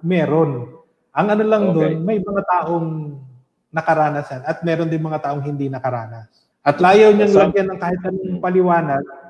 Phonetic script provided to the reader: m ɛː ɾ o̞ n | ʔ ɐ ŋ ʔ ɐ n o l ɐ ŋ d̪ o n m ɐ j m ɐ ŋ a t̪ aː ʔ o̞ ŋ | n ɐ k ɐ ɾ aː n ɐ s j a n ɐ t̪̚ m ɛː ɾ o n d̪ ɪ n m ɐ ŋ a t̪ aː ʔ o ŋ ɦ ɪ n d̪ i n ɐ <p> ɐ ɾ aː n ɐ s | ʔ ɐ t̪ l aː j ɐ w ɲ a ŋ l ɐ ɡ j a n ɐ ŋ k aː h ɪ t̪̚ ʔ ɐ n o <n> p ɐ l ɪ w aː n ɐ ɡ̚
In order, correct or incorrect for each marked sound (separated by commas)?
incorrect, incorrect